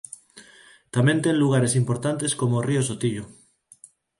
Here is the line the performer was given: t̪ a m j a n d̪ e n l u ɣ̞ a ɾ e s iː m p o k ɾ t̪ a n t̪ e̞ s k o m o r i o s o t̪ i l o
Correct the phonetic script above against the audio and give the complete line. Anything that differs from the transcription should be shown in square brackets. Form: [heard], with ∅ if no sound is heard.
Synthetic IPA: t̪ a m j [e] n [t̪] e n l u ɣ̞ a ɾ e s [i] m p o [∅] ɾ t̪ a n t̪ e̞ s k o m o r i o s o t̪ i [ʎ] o